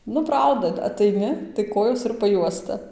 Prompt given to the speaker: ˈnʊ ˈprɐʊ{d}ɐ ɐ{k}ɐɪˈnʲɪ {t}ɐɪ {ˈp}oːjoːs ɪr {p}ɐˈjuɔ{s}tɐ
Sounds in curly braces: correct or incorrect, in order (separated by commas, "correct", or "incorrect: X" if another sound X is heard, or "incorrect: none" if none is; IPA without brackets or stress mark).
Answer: correct, incorrect: t, correct, incorrect: k, correct, correct